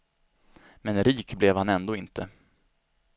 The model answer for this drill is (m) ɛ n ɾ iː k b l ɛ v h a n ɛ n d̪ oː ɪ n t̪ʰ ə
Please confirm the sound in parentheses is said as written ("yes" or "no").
yes